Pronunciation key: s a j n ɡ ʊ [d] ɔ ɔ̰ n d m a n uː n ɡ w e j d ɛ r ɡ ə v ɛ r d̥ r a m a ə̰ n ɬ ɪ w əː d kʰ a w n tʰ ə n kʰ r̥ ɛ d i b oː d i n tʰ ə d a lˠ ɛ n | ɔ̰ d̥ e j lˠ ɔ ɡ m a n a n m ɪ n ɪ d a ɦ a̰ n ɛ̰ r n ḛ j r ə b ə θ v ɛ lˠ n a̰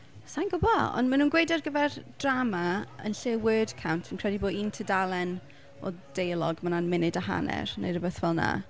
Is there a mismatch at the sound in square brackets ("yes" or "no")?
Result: yes